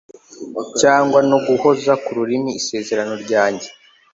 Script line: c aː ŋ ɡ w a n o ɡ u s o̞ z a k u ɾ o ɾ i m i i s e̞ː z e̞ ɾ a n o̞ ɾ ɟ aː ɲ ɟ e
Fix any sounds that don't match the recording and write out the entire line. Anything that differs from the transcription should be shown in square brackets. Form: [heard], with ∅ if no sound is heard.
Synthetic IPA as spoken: c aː ŋ ɡ w a n o ɡ u [h] o̞ z a k u ɾ [u] ɾ i m i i s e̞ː z e̞ ɾ a n o̞ ɾ ɟ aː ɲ ɟ e